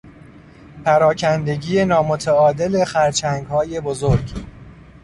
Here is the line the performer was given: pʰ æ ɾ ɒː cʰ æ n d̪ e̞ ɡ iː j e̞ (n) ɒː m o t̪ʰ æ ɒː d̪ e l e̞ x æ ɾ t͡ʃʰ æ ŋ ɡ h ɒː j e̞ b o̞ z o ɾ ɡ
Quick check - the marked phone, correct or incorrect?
correct